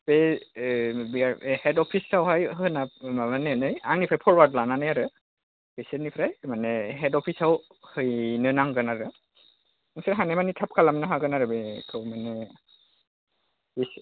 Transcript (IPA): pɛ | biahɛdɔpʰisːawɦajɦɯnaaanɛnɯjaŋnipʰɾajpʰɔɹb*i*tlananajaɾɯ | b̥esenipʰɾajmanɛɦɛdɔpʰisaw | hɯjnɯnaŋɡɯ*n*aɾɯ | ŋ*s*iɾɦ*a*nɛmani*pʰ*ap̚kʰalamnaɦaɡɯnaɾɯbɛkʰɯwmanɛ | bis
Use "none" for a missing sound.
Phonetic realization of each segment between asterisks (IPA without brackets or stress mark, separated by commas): a, n, s, a, tʰ